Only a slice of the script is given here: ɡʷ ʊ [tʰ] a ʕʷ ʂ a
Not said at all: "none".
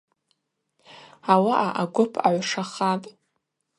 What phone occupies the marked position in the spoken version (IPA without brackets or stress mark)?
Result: pʰ